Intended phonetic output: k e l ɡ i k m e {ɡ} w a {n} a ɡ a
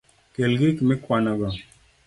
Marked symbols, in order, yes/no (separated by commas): no, yes